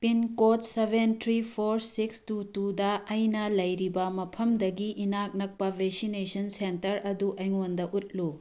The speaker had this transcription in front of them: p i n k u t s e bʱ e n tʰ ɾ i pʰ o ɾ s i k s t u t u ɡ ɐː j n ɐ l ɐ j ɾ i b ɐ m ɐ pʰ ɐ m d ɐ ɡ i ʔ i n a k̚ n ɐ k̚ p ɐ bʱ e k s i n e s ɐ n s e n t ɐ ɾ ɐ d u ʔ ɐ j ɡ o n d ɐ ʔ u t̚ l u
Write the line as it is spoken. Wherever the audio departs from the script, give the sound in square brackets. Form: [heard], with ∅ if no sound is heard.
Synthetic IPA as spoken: p i n k [o] t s e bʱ e n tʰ ɾ i pʰ o ɾ s i k s t u t u [d] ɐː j n ɐ l ɐ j ɾ i b ɐ m ɐ pʰ ɐ m d ɐ ɡ i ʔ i n a k̚ n ɐ k̚ p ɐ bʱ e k s i n e s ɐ n s e n t ɐ ɾ ɐ d u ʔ ɐ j [ŋ] o n d ɐ ʔ u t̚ l u